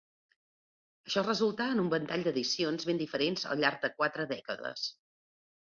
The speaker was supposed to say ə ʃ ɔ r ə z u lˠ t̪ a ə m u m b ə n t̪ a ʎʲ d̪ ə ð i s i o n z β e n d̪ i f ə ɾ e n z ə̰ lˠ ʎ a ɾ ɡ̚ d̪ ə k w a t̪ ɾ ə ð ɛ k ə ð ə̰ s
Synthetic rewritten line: ə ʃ ɔ r ə z u lˠ t̪ a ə n u m b ə n t̪ a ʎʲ d̪ ə ð i s i o n z β e n d̪ i f ə ɾ e n z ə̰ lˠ ʎ a ɾ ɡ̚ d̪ ə k w a t̪ ɾ ə ð ɛ k ə ð ə̰ s